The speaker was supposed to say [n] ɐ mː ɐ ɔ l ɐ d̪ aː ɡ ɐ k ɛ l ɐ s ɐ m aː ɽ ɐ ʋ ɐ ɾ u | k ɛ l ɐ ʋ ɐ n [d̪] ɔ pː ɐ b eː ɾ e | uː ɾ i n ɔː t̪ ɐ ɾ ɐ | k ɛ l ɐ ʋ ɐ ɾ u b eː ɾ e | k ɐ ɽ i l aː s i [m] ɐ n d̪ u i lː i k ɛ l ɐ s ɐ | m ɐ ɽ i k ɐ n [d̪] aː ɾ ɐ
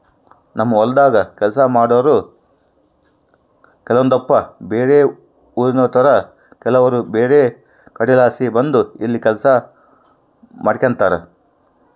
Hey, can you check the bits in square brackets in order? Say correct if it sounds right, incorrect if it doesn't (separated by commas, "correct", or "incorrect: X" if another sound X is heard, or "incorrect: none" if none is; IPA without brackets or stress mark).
correct, correct, incorrect: b, incorrect: t̪